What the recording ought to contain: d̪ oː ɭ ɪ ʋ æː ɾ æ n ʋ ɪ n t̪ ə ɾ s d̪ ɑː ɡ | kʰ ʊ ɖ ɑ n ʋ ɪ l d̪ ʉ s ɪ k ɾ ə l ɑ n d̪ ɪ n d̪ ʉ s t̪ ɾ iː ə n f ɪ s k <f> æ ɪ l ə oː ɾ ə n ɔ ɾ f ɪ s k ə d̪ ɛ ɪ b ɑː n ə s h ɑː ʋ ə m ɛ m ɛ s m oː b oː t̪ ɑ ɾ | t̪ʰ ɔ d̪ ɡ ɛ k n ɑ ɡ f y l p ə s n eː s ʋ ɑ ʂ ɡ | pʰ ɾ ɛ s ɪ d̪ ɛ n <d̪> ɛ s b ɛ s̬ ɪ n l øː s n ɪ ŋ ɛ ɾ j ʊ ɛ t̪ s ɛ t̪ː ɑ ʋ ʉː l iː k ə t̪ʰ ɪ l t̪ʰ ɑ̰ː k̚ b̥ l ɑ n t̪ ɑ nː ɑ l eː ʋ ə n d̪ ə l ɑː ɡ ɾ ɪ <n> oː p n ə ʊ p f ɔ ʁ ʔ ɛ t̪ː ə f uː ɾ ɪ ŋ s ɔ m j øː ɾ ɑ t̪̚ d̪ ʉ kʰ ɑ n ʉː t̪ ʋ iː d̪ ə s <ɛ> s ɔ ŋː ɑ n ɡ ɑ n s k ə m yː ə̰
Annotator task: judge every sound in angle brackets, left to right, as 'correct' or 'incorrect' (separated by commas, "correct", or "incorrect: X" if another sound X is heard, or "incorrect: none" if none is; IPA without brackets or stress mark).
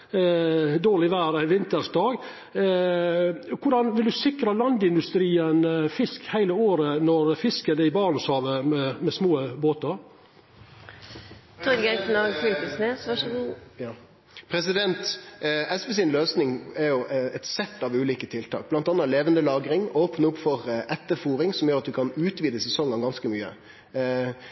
incorrect: h, incorrect: t̪, incorrect: ŋ, correct